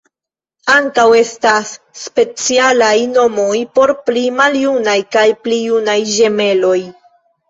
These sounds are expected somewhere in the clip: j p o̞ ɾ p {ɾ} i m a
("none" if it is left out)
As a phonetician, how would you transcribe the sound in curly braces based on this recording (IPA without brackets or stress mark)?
l